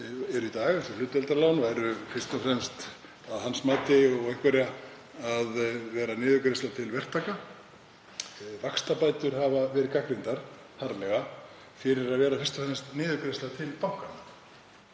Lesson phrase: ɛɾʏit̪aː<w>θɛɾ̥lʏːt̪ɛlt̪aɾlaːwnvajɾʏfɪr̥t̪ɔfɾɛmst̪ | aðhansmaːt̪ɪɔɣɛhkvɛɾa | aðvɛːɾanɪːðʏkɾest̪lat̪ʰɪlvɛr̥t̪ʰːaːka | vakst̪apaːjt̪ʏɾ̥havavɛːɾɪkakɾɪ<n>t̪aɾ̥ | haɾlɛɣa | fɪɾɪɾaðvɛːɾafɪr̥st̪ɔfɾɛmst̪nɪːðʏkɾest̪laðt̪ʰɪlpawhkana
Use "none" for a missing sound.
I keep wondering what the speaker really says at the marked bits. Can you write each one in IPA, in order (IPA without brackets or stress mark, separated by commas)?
ɣ, n